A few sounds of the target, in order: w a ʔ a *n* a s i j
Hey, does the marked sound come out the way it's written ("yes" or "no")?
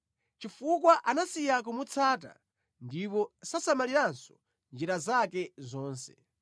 yes